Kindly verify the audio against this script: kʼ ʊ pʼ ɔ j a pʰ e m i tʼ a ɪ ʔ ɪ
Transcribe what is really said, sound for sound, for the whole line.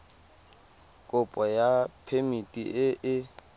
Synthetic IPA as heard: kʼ ʊ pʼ ɔ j a pʰ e m i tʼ i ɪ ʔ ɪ